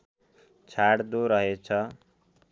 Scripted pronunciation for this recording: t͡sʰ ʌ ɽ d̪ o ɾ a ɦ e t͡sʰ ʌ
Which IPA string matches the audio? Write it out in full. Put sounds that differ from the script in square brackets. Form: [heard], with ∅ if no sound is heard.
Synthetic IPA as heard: t͡sʰ [a] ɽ d̪ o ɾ [ʌ] ɦ e t͡sʰ ʌ